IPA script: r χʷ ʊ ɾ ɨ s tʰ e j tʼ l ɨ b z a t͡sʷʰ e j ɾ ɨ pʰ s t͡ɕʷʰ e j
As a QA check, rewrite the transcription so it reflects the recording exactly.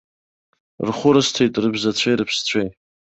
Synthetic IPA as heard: r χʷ ʊ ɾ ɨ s tʰ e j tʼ r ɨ b z a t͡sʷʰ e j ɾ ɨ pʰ s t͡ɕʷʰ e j